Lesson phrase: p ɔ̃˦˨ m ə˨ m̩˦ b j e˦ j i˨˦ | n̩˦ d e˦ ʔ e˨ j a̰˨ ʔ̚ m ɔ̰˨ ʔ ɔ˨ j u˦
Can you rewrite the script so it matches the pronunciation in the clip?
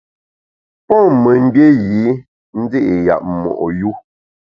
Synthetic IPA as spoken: p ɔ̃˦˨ m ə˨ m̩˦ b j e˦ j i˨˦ | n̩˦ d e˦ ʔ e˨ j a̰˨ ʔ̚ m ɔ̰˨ ʔ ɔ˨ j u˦